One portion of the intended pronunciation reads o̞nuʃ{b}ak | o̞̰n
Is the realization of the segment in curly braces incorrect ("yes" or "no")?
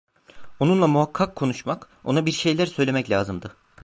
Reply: yes